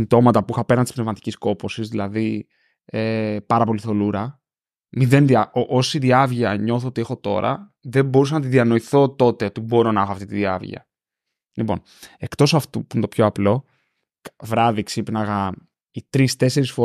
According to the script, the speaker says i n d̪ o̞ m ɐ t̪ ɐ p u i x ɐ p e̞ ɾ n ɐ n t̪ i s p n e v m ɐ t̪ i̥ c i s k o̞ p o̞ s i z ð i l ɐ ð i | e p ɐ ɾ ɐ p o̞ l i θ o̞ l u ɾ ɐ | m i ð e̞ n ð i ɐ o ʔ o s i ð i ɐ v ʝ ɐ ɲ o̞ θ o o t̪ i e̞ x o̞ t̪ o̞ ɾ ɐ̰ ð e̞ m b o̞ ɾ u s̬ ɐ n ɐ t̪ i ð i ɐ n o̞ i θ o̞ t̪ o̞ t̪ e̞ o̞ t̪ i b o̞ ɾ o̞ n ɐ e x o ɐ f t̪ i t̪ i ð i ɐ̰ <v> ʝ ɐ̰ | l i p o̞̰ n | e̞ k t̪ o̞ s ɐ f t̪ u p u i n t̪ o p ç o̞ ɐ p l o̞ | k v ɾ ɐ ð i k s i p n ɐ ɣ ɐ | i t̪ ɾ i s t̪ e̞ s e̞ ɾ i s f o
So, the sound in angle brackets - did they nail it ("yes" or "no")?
yes